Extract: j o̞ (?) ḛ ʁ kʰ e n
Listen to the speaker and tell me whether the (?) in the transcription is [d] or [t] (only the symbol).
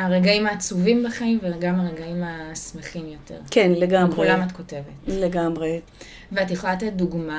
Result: t